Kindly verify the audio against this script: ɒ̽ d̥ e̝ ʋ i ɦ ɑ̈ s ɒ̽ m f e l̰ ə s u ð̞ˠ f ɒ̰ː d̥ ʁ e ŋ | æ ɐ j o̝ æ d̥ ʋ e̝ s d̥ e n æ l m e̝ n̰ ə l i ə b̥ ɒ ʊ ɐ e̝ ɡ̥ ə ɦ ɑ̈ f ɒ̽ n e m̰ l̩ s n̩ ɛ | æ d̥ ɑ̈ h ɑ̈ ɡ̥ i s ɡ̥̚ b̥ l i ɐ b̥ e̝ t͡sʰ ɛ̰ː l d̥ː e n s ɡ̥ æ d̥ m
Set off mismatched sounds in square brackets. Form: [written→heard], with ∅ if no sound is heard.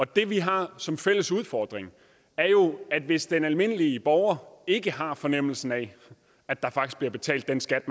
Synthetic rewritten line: ɒ̽ d̥ e̝ ʋ i ɦ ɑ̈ s ɒ̽ m f e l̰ ə s u ð̞ˠ f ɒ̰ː d̥ ʁ e ŋ | æ ɐ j o̝ æ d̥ ʋ e̝ s d̥ e n æ l m e̝ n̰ ə l i ə b̥ ɒ ʊ ɐ e̝ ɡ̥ ə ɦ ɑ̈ f ɒ̽ n e m̰ l̩ s n̩ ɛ | æ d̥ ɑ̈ [h→f] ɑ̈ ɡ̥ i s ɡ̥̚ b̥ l i ɐ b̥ e̝ t͡sʰ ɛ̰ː l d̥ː e n s ɡ̥ æ d̥ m